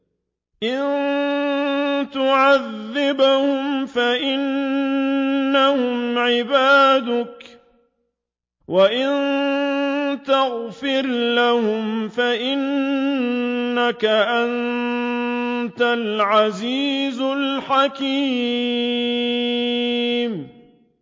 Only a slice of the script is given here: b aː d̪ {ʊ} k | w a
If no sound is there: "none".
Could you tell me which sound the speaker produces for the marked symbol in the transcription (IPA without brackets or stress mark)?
ʊ